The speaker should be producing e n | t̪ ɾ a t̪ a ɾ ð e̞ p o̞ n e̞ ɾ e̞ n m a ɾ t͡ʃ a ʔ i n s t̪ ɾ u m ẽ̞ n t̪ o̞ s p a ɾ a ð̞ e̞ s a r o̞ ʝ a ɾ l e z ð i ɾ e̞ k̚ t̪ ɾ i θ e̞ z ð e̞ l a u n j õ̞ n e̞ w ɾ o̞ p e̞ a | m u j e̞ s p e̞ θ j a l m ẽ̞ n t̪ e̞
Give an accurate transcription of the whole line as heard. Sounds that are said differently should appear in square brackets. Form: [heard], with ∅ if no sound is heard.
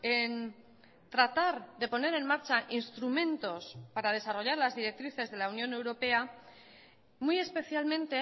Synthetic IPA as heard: e n | t̪ ɾ a t̪ a ɾ ð e̞ p o̞ n e̞ ɾ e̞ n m a ɾ t͡ʃ a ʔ i n s t̪ ɾ u m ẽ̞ n t̪ o̞ s p a ɾ a ð̞ e̞ s a r o̞ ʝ a ɾ l [a] z ð i ɾ e̞ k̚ t̪ ɾ i θ e̞ z ð e̞ l a u n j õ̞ n e̞ w ɾ o̞ p e̞ a | m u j e̞ s p e̞ θ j a l m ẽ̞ n t̪ e̞